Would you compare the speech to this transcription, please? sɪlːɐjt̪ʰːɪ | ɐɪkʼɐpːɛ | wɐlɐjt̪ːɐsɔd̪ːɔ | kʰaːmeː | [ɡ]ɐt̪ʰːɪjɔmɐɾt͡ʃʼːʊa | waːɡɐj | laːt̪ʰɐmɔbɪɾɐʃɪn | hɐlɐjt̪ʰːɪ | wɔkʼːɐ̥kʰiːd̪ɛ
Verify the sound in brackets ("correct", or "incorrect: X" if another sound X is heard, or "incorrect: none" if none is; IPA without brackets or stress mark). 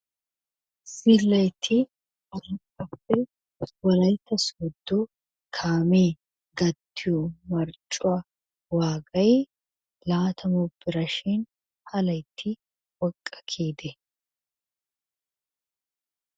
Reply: correct